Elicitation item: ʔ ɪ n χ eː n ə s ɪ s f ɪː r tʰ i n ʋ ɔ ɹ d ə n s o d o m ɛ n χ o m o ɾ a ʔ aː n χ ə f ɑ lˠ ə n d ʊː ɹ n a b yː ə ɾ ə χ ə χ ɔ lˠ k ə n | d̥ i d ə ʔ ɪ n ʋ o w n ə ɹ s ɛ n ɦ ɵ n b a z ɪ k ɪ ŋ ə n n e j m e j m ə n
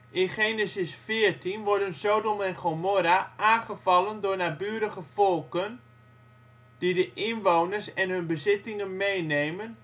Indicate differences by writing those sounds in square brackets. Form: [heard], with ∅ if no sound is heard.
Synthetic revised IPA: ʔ ɪ n χ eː n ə s ɪ s f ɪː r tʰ i n ʋ ɔ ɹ d ə n s o d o m ɛ n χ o m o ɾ a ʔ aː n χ ə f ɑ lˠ ə n d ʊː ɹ n a b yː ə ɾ ə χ ə [f] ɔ lˠ k ə n | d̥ i d ə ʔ ɪ n ʋ o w n ə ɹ s ɛ n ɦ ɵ n b [ə] z ɪ [t] ɪ ŋ ə n [m] e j [n] e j m ə n

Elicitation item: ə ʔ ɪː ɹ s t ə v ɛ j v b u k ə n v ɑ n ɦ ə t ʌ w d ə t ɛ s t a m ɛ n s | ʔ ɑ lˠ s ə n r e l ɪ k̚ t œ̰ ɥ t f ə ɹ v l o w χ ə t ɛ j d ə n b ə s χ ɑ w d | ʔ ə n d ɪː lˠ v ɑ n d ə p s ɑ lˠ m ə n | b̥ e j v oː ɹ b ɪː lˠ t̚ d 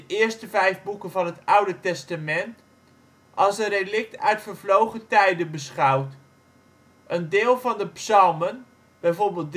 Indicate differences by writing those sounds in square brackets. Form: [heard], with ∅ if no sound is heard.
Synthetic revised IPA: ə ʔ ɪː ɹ s t ə v ɛ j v b u k ə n v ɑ n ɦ ə t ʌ w d ə t ɛ s t a m ɛ n [t] | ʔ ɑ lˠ s ə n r e l ɪ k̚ t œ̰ ɥ t f ə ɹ v l o w χ ə t ɛ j d ə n b ə s χ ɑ w [t] | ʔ ə n d ɪː lˠ v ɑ n d ə p s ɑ lˠ m ə n | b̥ [ɛ] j v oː ɹ b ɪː lˠ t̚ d

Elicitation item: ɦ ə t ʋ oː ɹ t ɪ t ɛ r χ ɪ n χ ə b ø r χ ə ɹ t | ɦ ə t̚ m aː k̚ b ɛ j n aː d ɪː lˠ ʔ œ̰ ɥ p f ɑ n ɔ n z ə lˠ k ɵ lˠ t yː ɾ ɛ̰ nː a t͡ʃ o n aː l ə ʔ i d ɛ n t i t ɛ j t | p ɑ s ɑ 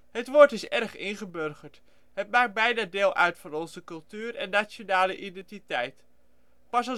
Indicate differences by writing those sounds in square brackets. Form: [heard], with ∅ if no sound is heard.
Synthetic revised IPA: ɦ ə t ʋ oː ɹ t ɪ [s] ɛ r χ ɪ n χ ə b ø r χ ə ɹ t | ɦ ə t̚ m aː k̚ b ɛ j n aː d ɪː lˠ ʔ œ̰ ɥ [t] f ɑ n ɔ n z ə [∅] k ɵ lˠ t yː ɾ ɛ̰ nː a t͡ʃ o n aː l ə ʔ i d ɛ n t i t ɛ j t | p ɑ s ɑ

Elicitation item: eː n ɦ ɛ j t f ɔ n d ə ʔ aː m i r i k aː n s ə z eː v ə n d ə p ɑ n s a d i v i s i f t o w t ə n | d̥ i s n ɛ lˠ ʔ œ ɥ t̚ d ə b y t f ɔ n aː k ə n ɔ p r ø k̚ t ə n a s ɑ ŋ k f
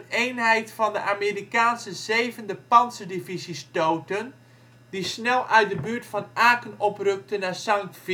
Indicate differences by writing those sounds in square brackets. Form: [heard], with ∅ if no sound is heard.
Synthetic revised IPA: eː n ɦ ɛ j t f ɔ n d ə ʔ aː m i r i k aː n s ə z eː v ə n d ə p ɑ n s [ə] d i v i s i [s] t o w t ə n | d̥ i s n ɛ lˠ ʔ œ ɥ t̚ d ə b y t f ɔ n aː k ə n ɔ p r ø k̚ t ə n a s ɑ ŋ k f

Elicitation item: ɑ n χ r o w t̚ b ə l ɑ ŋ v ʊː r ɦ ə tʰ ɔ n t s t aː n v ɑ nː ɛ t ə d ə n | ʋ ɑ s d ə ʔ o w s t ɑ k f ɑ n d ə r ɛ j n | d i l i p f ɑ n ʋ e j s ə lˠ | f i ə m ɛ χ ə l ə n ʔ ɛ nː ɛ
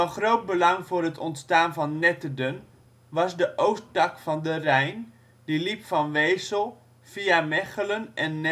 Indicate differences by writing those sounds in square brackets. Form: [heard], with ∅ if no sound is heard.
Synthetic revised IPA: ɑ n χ r o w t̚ b ə l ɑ ŋ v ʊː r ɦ ə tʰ ɔ n t s t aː n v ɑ nː ɛ t ə d ə n | ʋ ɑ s d ə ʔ o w s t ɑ k f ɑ n d ə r ɛ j n | d i l i p f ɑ n ʋ e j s ə lˠ | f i [a] m ɛ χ ə l ə n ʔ ɛ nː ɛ

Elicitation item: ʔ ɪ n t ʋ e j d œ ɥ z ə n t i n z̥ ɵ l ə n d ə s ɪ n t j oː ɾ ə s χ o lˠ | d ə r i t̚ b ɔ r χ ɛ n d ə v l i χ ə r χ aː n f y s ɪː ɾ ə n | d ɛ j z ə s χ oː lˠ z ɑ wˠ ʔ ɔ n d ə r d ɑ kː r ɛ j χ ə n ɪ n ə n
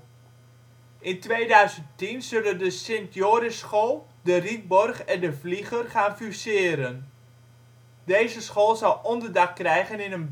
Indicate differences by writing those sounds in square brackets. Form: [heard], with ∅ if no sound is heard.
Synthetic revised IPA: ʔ ɪ n t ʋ e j d œ ɥ z ə n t i n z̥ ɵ l ə n d ə s ɪ n t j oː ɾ ə s χ o lˠ | d ə r i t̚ b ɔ r χ ɛ n d ə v l i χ ə r χ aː n f y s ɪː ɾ ə n | d [e] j z ə s χ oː lˠ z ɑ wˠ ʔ ɔ n d ə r d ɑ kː r ɛ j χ ə n ɪ n ə n

